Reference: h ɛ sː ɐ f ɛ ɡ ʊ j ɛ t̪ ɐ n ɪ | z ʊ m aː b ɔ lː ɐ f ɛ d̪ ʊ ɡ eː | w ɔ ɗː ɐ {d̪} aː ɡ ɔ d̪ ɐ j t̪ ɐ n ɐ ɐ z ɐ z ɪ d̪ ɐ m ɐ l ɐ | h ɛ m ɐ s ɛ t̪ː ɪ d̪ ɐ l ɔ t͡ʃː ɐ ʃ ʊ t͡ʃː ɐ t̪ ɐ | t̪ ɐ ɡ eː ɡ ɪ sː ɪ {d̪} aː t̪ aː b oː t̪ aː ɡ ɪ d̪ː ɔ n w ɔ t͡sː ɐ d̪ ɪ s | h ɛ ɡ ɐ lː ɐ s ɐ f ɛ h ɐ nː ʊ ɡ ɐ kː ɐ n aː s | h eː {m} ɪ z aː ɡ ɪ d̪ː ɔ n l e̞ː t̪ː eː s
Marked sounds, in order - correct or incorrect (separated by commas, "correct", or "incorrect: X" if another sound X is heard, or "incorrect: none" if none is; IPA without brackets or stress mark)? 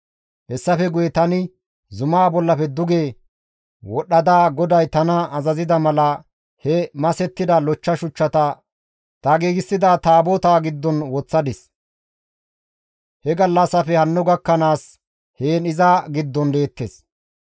correct, correct, incorrect: n